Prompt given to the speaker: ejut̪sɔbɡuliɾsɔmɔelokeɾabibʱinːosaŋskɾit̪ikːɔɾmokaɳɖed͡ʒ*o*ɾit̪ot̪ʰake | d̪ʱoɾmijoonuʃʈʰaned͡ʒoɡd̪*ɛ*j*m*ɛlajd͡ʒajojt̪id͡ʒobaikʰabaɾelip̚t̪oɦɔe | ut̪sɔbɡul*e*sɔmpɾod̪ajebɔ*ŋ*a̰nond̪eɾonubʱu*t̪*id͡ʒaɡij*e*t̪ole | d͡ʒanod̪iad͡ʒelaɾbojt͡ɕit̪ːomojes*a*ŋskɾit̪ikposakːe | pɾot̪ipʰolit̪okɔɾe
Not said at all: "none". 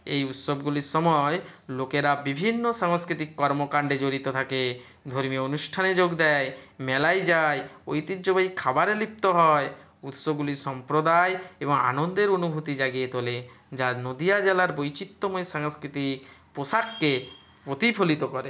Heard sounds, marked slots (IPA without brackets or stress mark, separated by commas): o, ɛ, m, i, ŋ, t̪, e, a